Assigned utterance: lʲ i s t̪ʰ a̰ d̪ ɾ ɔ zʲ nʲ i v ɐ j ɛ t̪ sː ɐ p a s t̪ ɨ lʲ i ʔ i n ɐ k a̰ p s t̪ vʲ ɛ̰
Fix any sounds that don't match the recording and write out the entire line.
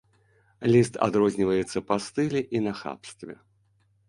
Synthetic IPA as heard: lʲ i s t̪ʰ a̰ d̪ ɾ ɔ zʲ nʲ i v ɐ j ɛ t̪ sː ɐ p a s t̪ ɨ lʲ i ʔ i n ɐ x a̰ p s t̪ vʲ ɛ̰